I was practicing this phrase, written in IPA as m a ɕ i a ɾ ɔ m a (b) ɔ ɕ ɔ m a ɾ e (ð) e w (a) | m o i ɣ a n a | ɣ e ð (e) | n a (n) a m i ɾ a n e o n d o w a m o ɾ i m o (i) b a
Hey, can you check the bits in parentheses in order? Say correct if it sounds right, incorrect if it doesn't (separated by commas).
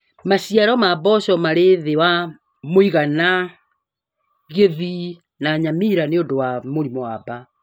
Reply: correct, correct, correct, incorrect, incorrect, incorrect